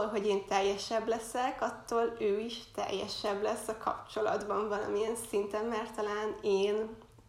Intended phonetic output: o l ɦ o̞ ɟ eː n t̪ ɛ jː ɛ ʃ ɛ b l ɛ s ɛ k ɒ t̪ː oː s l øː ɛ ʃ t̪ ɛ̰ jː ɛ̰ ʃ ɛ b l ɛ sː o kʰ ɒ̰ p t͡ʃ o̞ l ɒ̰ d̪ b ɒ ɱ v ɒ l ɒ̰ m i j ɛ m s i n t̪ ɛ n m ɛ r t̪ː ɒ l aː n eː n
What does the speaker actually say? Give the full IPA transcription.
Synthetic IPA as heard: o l ɦ o̞ ɟ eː n t̪ ɛ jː ɛ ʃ ɛ b l ɛ s ɛ k ɒ t̪ː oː l øː i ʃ t̪ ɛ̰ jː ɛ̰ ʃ ɛ b l ɛ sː ɒ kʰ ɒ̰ p t͡ʃ o̞ l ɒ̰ d̪ b ɒ ɱ v ɒ l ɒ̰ m i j ɛ n s i n t̪ ɛ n m ɛ r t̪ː ɒ l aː n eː n